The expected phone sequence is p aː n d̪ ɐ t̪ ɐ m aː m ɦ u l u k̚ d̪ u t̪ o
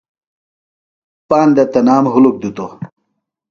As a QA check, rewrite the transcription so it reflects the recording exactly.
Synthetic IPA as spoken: p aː n d̪ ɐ t̪ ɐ n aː m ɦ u l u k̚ d̪ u t̪ o